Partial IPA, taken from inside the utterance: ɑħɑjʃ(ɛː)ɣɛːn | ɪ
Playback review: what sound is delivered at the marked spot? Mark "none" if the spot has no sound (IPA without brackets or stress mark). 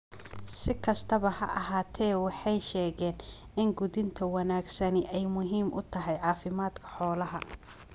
ɛː